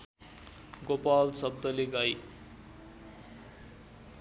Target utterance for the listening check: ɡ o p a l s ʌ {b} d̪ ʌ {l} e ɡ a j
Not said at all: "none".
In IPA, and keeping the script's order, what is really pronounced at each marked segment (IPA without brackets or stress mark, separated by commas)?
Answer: b, l